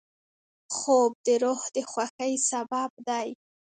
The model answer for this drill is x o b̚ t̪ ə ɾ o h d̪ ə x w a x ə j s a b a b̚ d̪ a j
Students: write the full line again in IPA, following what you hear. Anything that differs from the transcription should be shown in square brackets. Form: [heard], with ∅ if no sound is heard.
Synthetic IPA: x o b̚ [d̪] ə ɾ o h d̪ ə x w a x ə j s a b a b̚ d̪ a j

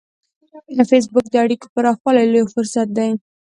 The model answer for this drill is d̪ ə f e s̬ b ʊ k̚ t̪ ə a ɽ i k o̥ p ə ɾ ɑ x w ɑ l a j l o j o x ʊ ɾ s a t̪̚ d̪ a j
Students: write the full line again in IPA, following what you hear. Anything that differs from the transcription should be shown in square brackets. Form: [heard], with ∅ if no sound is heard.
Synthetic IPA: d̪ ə f e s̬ b ʊ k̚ [d̪] ə a ɽ i k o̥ p ə ɾ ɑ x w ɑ l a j l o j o [f] ʊ ɾ s a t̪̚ d̪ a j

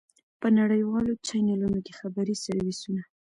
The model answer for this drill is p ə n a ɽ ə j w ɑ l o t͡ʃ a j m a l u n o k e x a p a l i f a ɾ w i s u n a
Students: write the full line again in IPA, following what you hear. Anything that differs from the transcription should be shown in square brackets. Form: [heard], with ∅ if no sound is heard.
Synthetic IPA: p ə n a ɽ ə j w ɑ l o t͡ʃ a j [n] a l u n o k e x a [b] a [ɾ] i [s] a ɾ w i s u n a

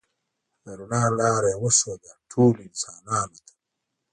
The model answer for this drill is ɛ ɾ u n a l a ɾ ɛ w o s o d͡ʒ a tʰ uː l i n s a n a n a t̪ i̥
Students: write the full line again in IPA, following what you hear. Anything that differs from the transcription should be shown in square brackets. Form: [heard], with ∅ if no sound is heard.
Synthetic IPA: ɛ ɾ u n a l a ɾ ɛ w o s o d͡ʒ a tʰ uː l i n s a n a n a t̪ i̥

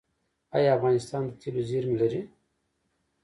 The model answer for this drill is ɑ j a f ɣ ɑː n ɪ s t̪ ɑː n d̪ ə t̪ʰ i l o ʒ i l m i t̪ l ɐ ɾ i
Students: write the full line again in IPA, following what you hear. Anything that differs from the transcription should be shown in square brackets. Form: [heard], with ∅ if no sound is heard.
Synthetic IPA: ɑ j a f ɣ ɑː n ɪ s t̪ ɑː n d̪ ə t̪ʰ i l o [z] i [ɾ] m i [∅] l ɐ ɾ i

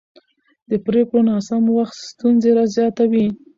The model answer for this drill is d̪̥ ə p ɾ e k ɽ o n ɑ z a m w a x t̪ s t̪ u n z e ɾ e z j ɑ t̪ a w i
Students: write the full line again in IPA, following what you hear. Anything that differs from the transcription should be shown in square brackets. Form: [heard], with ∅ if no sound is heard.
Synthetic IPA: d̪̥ ə p ɾ e k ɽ o n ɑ [s] a m w a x t̪ s t̪ u n z e ɾ [a] z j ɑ t̪ a w i

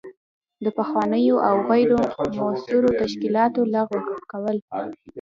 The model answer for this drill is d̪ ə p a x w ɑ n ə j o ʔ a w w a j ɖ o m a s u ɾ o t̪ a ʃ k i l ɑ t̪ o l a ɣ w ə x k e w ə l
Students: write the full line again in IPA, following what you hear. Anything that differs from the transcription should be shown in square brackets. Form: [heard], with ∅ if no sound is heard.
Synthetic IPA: d̪ ə p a x w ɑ n ə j o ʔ a w [ɣ] a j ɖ o m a s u ɾ o t̪ a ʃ k i l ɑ t̪ o l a ɣ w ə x k [a] w ə l

